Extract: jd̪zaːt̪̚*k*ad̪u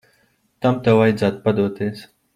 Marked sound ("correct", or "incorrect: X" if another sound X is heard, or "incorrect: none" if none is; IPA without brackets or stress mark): incorrect: p